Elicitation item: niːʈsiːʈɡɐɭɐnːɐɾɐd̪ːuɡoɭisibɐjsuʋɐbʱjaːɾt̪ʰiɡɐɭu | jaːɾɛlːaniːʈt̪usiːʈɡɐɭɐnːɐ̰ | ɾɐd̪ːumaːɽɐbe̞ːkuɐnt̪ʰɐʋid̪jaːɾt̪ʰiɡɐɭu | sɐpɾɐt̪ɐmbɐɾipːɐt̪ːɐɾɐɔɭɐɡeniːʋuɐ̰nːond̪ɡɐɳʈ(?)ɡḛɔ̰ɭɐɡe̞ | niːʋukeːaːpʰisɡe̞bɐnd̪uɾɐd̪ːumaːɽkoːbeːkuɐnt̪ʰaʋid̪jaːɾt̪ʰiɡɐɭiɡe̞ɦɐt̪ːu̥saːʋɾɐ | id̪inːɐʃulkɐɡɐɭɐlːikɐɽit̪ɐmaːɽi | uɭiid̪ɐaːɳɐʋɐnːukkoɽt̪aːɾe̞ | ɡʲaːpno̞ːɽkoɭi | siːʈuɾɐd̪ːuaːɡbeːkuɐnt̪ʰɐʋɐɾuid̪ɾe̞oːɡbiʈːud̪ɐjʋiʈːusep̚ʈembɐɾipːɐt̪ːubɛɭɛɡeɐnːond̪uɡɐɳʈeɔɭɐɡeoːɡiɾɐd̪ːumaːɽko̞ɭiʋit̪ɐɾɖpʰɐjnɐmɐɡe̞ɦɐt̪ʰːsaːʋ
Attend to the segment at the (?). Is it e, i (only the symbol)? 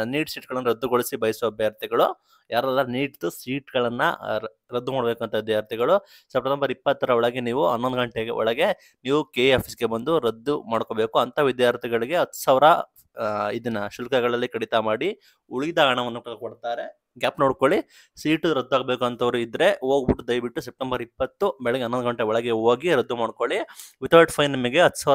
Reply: e